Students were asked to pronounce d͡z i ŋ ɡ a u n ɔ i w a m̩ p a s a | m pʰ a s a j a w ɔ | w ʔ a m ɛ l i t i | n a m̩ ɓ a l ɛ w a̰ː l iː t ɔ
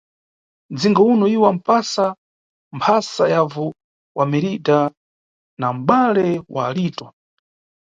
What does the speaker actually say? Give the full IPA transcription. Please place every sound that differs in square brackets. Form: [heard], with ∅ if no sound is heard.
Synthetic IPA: d͡z i ŋ ɡ a u n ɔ i w a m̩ p a s a | m pʰ a s a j a [v] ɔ | w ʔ a m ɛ [ɾ] i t [a] | n a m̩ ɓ a l ɛ w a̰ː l iː t ɔ